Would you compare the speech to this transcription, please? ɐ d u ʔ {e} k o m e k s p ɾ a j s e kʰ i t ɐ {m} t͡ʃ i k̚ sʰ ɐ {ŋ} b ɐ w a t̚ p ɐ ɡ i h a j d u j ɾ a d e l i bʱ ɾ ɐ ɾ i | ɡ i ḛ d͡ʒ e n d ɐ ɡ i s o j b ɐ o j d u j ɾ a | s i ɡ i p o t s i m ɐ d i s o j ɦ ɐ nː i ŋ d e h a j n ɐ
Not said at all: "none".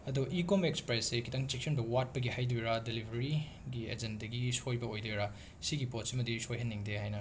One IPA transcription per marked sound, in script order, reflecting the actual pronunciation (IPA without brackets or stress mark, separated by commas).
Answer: i, ŋ, n